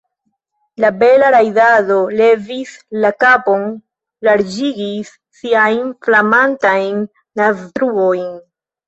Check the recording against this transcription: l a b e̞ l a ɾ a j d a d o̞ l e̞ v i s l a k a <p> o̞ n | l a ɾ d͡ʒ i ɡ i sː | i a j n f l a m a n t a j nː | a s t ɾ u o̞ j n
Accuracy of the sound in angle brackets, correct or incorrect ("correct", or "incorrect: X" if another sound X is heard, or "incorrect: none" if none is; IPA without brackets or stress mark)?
correct